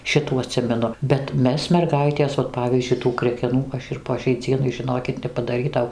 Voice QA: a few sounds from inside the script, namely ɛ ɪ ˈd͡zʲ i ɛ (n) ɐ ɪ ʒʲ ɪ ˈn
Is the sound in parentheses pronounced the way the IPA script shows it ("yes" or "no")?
yes